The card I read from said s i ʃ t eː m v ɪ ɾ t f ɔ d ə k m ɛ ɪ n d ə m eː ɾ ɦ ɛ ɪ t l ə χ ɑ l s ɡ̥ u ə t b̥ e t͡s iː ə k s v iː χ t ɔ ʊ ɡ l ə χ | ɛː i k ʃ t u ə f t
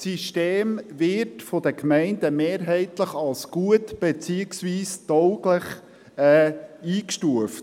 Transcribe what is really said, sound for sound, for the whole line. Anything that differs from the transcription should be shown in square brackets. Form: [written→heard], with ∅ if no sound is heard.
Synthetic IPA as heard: s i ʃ t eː m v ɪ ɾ t f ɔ d ə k m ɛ ɪ n d ə m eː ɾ ɦ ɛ ɪ t l ə χ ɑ l s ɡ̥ u ə t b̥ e t͡s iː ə k s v iː [χ→s] t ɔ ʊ ɡ l ə χ | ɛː [i→iː] k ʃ t u ə f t